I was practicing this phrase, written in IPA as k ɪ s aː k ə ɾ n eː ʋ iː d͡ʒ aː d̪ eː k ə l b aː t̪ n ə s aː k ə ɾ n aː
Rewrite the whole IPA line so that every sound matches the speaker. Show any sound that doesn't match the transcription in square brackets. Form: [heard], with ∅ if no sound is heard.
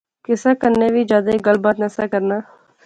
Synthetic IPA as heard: k ɪ s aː k ə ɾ n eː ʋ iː d͡ʒ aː d̪ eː [ɡ] ə l b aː t̪ n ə s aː k ə ɾ n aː